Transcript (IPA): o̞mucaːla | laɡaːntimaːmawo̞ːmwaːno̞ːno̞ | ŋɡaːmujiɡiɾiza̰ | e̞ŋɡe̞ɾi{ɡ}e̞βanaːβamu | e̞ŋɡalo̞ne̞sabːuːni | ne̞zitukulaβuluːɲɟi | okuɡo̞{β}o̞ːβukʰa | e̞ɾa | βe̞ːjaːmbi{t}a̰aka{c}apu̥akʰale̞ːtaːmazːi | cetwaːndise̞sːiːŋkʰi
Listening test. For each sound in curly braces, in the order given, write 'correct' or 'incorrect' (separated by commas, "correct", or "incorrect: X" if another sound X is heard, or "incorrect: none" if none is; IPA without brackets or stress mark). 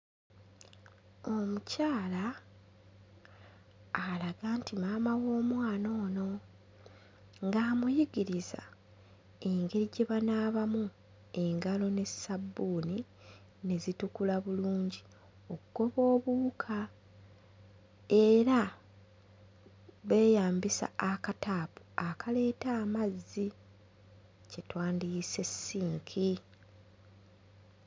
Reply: incorrect: ɟ, correct, incorrect: s, incorrect: t